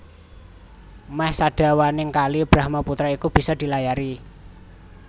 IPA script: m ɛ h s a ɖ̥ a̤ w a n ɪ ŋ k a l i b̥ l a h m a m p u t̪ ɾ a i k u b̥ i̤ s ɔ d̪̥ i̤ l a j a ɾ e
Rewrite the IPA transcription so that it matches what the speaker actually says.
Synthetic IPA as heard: m ɛ h s a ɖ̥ a̤ w a n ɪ ŋ k a l i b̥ ɾ a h m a p u t̪ ɾ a i k u b̥ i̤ s ɔ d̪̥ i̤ l a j a ɾ i

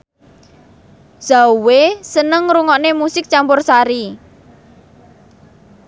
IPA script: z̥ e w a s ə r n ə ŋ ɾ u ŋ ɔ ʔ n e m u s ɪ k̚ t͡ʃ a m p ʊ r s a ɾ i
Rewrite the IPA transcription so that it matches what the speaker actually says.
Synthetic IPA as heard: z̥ a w e s ə n ə ŋ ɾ u ŋ ɔ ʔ n e m u s ɪ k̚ t͡ʃ a m p ʊ r s a ɾ i

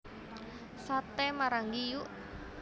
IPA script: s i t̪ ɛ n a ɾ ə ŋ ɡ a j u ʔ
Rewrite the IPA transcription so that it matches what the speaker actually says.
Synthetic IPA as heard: s a t̪ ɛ m a ɾ a ŋ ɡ i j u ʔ

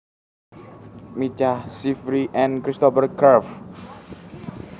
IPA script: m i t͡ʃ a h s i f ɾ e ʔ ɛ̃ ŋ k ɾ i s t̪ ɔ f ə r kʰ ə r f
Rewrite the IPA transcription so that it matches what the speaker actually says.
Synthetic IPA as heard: m i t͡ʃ a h s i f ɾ i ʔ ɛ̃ n k ɾ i s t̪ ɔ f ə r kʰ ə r f

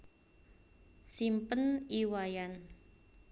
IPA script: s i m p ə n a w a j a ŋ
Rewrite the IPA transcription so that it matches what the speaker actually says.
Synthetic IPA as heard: s i m p ə n i w a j a n

